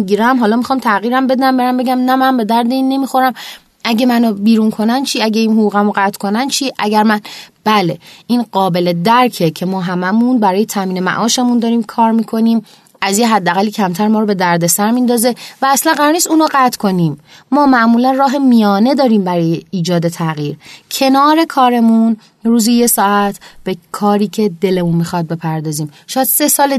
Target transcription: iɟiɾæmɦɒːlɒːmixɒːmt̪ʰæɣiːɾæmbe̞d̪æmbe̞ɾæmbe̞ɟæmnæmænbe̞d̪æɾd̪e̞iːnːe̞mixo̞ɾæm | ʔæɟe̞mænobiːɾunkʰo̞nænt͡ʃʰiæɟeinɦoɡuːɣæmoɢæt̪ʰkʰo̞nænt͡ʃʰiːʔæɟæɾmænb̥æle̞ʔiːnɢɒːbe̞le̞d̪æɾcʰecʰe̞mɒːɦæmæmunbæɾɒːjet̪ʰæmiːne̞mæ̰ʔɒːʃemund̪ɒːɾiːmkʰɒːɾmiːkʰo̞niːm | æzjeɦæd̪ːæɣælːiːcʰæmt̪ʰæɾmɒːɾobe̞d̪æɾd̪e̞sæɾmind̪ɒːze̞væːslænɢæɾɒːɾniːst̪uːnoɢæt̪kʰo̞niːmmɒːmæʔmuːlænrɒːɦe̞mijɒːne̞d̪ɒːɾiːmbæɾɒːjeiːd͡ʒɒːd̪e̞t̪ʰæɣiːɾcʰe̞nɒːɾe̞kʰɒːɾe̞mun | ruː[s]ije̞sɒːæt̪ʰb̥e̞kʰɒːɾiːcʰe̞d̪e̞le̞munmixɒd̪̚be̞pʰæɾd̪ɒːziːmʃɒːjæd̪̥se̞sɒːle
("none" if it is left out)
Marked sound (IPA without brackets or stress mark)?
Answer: z